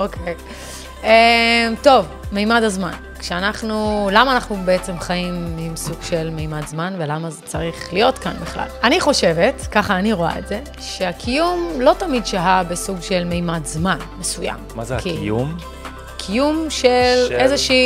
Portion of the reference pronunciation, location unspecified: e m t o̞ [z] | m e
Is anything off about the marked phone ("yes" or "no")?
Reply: yes